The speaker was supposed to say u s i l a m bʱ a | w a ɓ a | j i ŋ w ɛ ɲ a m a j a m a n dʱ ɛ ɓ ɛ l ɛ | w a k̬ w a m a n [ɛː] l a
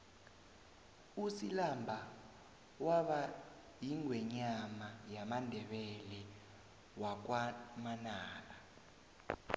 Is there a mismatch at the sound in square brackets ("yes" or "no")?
yes